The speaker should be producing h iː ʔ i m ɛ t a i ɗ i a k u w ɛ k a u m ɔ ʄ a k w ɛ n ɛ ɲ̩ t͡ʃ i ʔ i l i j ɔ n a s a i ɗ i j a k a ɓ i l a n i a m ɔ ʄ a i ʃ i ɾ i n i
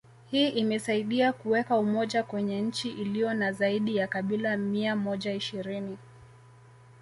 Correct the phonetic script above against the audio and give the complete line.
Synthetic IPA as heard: h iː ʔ i m ɛ s a i ɗ i a k u w ɛ k a u m ɔ ʄ a k w ɛ ɲ ɛ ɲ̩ t͡ʃ i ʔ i l i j ɔ n a z a i ɗ i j a k a ɓ i l a m i a m ɔ ʄ a i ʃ i ɾ i n i